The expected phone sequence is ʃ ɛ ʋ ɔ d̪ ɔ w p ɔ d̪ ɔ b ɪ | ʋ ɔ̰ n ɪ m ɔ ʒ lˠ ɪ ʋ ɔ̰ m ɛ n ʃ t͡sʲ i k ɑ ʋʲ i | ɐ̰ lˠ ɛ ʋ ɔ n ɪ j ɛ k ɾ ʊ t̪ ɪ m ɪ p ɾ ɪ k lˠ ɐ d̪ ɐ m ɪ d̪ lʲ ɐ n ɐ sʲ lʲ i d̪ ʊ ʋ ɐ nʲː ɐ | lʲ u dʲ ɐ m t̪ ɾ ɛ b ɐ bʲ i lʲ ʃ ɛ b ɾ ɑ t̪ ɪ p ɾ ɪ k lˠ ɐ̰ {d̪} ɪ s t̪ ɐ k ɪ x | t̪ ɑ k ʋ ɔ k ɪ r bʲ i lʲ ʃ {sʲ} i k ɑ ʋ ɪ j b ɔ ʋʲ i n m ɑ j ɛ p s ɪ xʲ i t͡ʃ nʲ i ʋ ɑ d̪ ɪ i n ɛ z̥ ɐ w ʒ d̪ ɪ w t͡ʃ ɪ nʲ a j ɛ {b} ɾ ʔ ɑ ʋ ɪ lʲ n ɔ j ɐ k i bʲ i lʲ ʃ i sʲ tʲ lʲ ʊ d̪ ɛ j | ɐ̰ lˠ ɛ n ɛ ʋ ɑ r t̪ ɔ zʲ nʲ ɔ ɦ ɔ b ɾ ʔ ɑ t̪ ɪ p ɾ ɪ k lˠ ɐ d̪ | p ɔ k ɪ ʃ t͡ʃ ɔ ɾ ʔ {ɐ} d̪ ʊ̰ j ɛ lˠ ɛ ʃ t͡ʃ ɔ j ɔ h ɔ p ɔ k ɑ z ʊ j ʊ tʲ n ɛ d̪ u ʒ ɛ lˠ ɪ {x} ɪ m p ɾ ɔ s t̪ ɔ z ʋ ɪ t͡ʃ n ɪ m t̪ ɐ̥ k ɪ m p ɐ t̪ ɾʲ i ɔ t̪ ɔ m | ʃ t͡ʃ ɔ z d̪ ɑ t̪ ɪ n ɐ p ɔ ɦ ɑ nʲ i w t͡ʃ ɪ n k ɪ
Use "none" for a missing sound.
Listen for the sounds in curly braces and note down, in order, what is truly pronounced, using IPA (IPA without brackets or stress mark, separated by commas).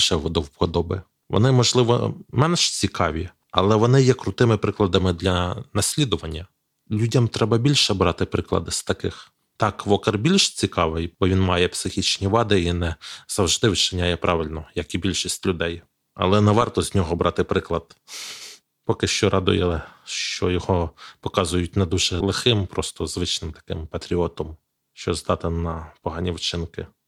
d̪, t͡sʲ, p, ɑ, x